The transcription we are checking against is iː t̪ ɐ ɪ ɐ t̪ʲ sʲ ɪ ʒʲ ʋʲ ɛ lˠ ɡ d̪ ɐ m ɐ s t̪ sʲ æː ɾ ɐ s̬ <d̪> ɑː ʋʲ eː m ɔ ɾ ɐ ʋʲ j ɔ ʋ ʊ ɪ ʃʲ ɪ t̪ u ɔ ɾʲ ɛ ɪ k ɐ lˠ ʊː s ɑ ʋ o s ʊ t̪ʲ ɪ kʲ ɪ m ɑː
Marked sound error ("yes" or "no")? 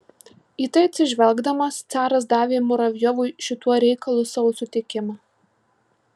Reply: no